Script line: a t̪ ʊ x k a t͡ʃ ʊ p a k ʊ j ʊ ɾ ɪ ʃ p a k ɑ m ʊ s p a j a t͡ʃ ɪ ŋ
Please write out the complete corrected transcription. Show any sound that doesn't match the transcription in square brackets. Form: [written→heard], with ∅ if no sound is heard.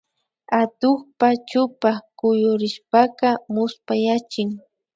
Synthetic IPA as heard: a t̪ ʊ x [k→p] a t͡ʃ ʊ p a k ʊ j ʊ ɾ ɪ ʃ p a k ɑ m ʊ s p a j a t͡ʃ ɪ ŋ

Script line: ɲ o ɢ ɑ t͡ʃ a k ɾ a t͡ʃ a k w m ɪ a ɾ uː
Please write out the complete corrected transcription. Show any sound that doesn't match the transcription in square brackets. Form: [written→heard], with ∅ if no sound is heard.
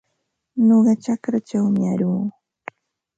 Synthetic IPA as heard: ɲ o ɢ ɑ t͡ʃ a k ɾ a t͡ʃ a [k→∅] w m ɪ a ɾ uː

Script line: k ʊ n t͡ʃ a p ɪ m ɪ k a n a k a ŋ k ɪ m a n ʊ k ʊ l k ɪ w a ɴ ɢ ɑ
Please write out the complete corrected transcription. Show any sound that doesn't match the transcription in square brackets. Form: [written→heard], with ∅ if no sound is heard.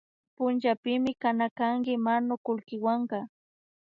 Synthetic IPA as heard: [k→p] ʊ n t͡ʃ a p ɪ m ɪ k a n a k a ŋ k ɪ m a n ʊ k ʊ l k ɪ w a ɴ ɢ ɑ

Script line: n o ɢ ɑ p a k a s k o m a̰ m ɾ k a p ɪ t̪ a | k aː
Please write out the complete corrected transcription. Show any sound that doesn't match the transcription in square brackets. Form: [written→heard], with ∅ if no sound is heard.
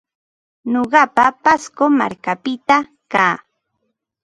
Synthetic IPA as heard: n o ɢ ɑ p a [k→p] a s k o m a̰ [m→∅] ɾ k a p ɪ t̪ a | k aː

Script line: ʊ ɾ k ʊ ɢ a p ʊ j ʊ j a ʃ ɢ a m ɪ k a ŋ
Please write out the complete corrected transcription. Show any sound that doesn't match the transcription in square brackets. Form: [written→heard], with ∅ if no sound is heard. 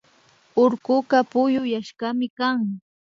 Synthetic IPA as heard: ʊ ɾ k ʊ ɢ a p ʊ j ʊ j a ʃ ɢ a m ɪ k a ŋ

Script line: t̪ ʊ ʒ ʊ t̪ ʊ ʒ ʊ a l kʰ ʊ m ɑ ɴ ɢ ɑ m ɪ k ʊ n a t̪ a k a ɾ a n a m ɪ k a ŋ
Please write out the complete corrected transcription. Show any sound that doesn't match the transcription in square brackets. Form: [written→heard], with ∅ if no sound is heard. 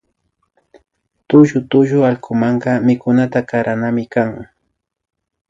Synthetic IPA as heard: t̪ ʊ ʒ ʊ t̪ ʊ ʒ ʊ a l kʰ ʊ m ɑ ɴ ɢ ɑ m ɪ k ʊ n a t̪ a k a ɾ a n a m ɪ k a ŋ

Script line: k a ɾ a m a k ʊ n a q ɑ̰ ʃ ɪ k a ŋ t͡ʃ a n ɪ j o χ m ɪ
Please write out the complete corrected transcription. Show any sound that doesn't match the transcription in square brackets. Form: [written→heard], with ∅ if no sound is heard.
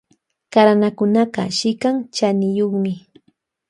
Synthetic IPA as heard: k a ɾ a [m→n] a k ʊ n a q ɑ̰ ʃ ɪ k a ŋ t͡ʃ a n ɪ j o χ m ɪ

